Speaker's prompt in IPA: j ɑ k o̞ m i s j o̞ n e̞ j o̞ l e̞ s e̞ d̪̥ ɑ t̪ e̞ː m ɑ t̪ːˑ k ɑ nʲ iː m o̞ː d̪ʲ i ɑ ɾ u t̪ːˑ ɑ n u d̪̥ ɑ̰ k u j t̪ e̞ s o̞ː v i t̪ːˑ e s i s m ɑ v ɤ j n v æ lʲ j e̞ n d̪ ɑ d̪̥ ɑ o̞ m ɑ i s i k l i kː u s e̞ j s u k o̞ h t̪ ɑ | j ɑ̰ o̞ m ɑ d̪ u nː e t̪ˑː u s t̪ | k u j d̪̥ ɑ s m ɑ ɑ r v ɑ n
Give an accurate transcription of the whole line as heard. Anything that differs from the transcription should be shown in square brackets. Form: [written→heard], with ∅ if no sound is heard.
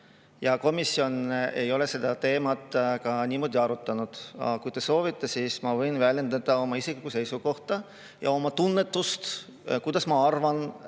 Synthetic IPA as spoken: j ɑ k o̞ m i s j o̞ n e̞ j o̞ l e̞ s e̞ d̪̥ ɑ t̪ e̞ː m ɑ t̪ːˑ k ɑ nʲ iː m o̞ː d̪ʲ i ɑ ɾ u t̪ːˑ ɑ n u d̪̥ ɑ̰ k u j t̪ e̞ s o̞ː v i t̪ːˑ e s i s m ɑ v ɤ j n v æ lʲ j e̞ n d̪ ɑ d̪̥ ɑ o̞ m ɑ i s i k l i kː u s e̞ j s u k o̞ h t̪ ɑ | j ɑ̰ o̞ m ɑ [d̪→t̪] u nː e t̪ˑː u s t̪ | k u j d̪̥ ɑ s m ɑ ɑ r v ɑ n

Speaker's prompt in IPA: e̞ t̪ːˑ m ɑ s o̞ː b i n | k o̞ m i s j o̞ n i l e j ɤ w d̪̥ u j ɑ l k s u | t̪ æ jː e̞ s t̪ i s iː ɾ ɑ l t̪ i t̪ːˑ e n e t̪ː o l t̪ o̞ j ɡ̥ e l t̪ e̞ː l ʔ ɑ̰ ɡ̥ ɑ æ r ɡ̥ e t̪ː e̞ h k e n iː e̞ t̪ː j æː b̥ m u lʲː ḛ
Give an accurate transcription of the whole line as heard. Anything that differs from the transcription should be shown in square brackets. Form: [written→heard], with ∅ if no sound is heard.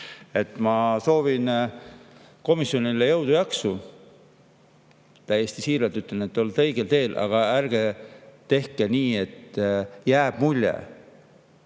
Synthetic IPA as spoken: e̞ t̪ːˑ m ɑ s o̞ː [b→v] i n | k o̞ m i s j o̞ n i l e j ɤ w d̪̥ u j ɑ [l→∅] k s u | t̪ æ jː e̞ s t̪ i s iː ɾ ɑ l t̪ [i→y] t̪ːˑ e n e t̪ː o l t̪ [o̞→ɤ̞] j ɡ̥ e l t̪ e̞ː l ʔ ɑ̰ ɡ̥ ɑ æ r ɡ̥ e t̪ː e̞ h k e n iː e̞ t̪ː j æː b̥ m u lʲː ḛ

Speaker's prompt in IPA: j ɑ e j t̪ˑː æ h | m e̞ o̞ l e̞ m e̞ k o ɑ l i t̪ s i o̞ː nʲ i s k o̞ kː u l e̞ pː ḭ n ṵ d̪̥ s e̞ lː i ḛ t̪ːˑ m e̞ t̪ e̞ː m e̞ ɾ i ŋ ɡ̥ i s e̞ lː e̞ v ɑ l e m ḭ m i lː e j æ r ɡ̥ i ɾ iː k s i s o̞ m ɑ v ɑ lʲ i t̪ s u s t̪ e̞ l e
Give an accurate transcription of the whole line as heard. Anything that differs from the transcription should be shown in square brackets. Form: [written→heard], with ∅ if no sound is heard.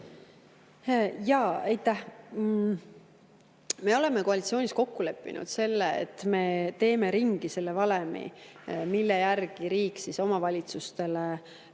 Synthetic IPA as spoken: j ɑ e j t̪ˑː æ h | m e̞ o̞ l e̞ m e̞ k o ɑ l i t̪ s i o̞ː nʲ i s k o̞ kː u l e̞ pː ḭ n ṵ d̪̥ s e̞ lː [i→e] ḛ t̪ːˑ m e̞ t̪ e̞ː m e̞ ɾ i ŋ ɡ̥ i s e̞ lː e̞ v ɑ l e m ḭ m i lː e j æ r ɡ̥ i ɾ iː k s i s o̞ m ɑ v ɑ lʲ i t̪ s u s t̪ e̞ l e

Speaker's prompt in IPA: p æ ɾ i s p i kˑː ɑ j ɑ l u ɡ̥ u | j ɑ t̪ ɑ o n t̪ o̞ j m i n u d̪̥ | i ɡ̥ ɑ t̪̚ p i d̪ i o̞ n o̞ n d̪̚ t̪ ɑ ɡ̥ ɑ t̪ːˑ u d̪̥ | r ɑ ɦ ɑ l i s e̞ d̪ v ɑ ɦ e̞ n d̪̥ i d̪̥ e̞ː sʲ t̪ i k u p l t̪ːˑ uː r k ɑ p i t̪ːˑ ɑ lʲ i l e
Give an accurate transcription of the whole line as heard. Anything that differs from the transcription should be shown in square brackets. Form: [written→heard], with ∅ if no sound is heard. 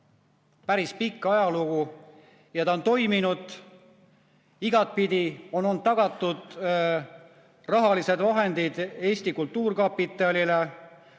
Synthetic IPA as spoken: p æ ɾ i s p i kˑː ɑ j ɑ l u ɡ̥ u | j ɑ t̪ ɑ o n t̪ o̞ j m i n u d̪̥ | i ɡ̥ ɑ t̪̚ p i d̪ i o̞ n o̞ n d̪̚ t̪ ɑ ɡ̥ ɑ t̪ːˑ u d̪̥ | r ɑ ɦ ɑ l i s e̞ d̪ v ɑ ɦ e̞ n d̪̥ i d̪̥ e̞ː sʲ t̪ i k u [p→∅] l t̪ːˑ uː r k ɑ p i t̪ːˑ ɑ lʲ i l e

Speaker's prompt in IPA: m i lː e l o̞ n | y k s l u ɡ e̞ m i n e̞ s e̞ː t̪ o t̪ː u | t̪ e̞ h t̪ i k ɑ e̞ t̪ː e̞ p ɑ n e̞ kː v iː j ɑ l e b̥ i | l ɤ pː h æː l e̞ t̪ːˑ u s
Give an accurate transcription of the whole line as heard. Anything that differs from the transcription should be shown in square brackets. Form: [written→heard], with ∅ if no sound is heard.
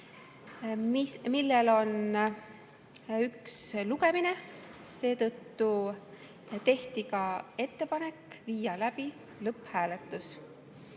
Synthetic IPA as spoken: m i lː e l o̞ n | y k s l u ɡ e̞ m i n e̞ s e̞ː t̪ [o→ɤ] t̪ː u | t̪ e̞ h t̪ i k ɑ e̞ t̪ː e̞ p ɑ n e̞ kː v iː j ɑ l [e→æ] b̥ i | l ɤ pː h æː l e̞ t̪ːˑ u s

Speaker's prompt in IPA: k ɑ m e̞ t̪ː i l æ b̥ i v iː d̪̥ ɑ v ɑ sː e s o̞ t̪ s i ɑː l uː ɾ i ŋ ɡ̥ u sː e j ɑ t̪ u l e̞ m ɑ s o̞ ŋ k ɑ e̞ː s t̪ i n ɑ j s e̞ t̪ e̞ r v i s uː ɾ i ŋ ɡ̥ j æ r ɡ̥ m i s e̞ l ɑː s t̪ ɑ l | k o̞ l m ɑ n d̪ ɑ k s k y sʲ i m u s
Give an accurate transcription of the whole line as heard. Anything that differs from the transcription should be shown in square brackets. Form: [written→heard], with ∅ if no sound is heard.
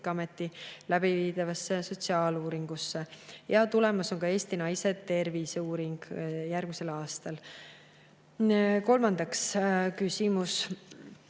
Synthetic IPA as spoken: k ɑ m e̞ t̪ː i l æ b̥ i v iː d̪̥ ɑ v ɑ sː e s o̞ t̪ s i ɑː l uː ɾ i ŋ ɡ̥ u sː e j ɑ t̪ u l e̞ m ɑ s o̞ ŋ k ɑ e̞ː s t̪ i n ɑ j s e̞ t̪ e̞ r v i s uː ɾ i ŋ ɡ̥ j æ r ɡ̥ m i s e̞ l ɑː s t̪ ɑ l | k o̞ l m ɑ n d̪ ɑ k s k y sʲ i m u s

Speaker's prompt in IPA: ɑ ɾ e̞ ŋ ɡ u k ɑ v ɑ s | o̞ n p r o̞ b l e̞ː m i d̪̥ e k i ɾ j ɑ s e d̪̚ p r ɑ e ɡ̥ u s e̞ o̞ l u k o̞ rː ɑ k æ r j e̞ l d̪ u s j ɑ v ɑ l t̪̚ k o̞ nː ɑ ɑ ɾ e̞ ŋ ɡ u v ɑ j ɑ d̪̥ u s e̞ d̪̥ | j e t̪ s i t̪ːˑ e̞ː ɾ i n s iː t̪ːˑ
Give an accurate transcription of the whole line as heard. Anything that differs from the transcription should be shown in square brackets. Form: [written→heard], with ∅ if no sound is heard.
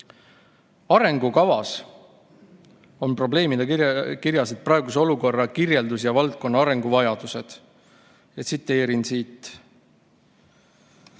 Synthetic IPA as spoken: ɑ ɾ e̞ ŋ ɡ u k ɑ v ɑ s | o̞ n p r o̞ b l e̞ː m i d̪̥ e k i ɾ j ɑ s e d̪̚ p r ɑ e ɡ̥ u s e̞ o̞ l u k o̞ rː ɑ k [æ→i] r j e̞ l d̪ u s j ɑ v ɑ l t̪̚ k o̞ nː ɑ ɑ ɾ e̞ ŋ ɡ u v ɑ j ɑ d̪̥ u s e̞ d̪̥ | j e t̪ s i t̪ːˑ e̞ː ɾ i n s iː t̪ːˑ

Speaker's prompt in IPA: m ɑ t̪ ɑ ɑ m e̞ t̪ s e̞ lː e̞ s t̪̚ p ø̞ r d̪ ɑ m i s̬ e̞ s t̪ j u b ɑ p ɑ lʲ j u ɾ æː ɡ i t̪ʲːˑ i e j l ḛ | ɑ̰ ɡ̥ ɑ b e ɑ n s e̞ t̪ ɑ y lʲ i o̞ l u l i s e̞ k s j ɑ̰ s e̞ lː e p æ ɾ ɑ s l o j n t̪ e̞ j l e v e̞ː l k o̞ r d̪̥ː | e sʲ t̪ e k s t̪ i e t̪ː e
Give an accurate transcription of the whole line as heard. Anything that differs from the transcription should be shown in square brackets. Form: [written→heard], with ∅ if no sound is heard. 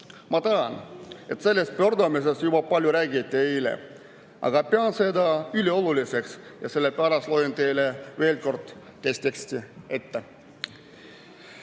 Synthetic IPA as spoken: m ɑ t̪ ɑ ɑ [m→n] e̞ t̪ s e̞ lː e̞ s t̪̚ p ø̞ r d̪ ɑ m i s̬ e̞ s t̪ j u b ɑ p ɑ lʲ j u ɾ æː ɡ i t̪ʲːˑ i e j l ḛ | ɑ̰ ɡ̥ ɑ [b→p] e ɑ n s e̞ [t̪→d̪] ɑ y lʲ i o̞ l u l i s e̞ k s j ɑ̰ s e̞ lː e p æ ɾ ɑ s l o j n t̪ e̞ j l e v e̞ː l k o̞ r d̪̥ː | e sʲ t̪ e k s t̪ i e t̪ː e

